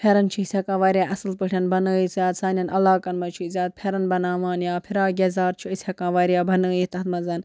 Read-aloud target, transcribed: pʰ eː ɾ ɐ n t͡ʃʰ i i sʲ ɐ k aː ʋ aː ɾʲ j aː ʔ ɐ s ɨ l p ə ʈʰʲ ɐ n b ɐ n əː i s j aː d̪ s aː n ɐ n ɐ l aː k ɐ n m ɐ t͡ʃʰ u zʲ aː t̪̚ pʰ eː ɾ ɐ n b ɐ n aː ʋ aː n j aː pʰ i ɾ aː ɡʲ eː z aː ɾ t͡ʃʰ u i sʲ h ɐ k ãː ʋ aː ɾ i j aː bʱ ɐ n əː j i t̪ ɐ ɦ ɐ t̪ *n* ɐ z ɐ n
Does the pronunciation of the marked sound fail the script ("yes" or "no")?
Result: yes